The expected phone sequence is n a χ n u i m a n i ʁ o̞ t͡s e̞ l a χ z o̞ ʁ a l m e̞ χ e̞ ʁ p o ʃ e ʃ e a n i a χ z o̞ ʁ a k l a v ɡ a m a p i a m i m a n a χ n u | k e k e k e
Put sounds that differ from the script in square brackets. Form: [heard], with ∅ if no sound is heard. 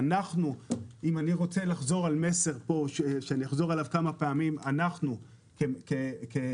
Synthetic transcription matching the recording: n a χ n u i m a n i ʁ o̞ t͡s e̞ l a χ z o̞ ʁ a l m e̞ [s] e̞ ʁ p o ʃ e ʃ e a n i a χ z o̞ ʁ a [∅] l a v [k] a m a p [e] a m i m a n a χ n u | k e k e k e